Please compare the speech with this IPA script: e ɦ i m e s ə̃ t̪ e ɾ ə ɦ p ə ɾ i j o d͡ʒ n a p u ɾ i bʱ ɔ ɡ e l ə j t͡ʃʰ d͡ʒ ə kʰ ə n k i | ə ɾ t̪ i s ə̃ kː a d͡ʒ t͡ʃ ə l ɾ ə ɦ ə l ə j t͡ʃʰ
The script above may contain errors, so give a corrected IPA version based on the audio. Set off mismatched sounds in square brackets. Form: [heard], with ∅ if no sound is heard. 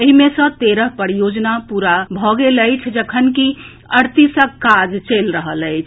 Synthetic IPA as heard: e ɦ i m e s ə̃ t̪ e ɾ ə ɦ p ə ɾ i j o d͡ʒ n a p u ɾ [a] bʱ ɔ ɡ e l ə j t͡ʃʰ d͡ʒ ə kʰ ə n k i | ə ɾ t̪ i s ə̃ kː a d͡ʒ t͡ʃ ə l ɾ ə ɦ ə l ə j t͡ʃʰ